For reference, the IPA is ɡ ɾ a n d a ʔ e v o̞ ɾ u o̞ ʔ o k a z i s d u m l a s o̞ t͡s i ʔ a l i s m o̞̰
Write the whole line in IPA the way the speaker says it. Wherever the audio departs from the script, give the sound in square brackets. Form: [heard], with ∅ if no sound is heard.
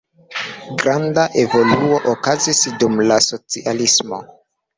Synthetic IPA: ɡ ɾ a n d a ʔ e v o̞ [l] u o̞ ʔ o k a z i s d u m l a s o̞ t͡s i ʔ a l i s m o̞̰